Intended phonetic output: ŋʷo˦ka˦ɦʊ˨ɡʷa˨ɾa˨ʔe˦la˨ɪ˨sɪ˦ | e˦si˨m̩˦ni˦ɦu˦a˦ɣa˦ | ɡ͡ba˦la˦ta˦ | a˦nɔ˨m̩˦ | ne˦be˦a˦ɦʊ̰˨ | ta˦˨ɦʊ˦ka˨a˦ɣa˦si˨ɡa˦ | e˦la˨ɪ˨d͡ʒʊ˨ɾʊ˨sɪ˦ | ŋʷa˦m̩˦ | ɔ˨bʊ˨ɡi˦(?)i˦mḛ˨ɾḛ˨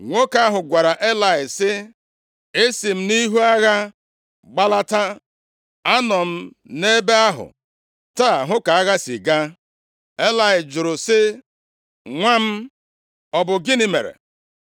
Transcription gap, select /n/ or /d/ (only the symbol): n